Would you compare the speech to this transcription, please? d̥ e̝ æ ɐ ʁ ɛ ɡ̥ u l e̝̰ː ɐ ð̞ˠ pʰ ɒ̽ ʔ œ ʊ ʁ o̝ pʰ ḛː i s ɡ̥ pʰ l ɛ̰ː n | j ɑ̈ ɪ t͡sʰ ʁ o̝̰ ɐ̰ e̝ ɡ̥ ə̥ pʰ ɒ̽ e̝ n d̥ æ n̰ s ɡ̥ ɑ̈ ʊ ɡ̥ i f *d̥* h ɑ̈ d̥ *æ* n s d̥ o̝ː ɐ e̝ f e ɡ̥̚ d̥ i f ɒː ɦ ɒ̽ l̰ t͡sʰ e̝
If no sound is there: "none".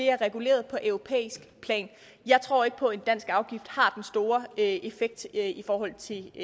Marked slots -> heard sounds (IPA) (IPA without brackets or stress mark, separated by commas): d̥, e